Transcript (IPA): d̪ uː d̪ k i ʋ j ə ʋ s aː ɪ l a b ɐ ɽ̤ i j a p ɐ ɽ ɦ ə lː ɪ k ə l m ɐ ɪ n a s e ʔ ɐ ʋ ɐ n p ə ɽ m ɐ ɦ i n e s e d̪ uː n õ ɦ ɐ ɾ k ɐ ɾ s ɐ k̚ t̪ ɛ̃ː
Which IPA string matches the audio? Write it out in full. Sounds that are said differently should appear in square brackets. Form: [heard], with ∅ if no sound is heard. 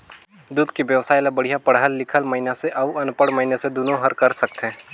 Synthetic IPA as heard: d̪ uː d̪ k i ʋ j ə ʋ s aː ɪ l a b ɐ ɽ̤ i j a p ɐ ɽ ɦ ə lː ɪ [kʰ] ə l m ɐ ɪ n a s e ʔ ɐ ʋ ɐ n p ə ɽ m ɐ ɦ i n e s e d̪ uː n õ ɦ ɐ ɾ k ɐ ɾ s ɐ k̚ t̪ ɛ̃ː